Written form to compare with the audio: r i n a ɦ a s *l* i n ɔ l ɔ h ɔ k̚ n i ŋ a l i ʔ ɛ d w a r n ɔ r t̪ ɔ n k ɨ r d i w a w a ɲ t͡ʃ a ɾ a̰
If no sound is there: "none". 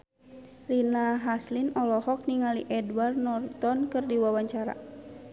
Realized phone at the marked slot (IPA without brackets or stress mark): l